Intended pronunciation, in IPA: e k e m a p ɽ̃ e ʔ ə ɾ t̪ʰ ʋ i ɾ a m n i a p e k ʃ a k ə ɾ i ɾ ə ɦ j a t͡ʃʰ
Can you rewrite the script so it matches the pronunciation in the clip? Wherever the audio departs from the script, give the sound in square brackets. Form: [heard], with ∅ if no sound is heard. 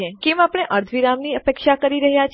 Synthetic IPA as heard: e k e m a p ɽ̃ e ʔ ə ɾ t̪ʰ ʋ i ɾ a m n i [ə] p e k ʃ a k ə ɾ i ɾ ə ɦ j a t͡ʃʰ